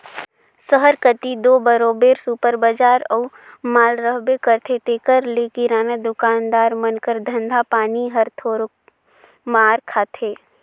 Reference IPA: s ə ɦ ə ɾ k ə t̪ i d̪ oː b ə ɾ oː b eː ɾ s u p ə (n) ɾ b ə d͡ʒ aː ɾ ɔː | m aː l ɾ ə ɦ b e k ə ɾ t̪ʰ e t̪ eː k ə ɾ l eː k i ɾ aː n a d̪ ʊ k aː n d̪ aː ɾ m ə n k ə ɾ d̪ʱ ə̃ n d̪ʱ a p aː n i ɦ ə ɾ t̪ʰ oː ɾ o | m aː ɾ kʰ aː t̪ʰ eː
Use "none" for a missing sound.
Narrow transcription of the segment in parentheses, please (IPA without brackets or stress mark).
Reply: none